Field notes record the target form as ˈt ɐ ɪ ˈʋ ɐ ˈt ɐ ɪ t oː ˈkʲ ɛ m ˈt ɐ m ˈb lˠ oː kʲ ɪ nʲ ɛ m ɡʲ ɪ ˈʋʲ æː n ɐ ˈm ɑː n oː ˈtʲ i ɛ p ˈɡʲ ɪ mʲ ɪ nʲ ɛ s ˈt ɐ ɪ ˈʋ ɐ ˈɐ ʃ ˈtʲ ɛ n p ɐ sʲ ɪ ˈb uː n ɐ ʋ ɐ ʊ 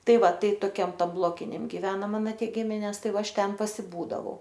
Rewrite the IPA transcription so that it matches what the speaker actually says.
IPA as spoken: ˈt ɐ ɪ ˈʋ ɐ ˈt ɐ ɪ t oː ˈkʲ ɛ m ˈt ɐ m ˈb lˠ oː kʲ ɪ nʲ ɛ m ɡʲ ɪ ˈʋʲ æː n ɐ ˈm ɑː n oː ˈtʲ i ɛ ˈɡʲ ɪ mʲ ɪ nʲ ɛ s ˈt ɐ ɪ ˈʋ ɐ ˈɐ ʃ ˈtʲ ɛ n p ɐ sʲ ɪ ˈb uː d ɐ ʋ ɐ ʊ